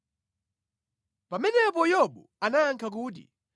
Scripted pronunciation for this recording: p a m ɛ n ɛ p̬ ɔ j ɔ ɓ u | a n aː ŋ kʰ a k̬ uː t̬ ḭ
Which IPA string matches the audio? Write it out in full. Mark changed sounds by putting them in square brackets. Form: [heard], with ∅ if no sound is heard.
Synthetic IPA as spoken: p a m ɛ n ɛ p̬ ɔ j ɔ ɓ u | a n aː ŋ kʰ a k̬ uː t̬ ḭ